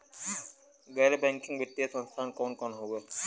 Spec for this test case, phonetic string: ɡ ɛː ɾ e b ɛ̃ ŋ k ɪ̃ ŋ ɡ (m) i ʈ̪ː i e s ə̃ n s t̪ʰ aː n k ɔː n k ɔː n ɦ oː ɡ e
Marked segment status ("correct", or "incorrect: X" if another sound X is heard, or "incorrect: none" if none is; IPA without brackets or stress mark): incorrect: b